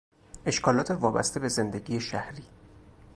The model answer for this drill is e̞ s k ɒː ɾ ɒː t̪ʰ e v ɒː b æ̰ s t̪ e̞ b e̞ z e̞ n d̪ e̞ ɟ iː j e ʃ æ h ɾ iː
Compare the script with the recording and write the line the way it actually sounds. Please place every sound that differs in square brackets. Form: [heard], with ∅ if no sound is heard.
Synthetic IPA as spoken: e̞ [ʃ] k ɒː [l] ɒː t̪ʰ e v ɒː b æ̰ s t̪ e̞ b e̞ z e̞ n d̪ e̞ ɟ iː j e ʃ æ h ɾ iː